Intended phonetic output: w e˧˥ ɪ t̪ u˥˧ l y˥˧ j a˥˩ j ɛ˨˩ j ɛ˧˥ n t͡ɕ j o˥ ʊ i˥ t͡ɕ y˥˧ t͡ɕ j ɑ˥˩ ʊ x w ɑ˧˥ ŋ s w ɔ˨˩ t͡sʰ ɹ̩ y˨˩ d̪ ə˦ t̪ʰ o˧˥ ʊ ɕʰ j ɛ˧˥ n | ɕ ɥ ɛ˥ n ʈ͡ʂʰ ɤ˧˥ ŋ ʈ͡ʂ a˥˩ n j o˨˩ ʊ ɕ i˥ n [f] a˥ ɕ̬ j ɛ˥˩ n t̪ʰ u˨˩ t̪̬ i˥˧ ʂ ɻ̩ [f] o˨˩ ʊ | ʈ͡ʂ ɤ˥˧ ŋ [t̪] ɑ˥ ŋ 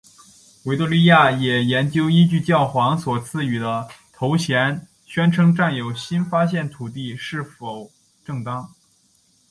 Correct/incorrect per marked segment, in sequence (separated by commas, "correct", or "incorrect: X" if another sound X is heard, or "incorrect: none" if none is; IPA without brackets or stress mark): correct, correct, correct